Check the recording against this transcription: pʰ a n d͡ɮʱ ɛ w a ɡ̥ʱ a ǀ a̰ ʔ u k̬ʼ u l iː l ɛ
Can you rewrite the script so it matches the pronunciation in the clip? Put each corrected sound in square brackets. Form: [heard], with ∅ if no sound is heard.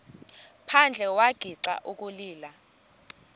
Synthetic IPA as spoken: pʰ a n d͡ɮʱ ɛ w a ɡ̥ʱ [i] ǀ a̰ ʔ u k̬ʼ u l iː l [a]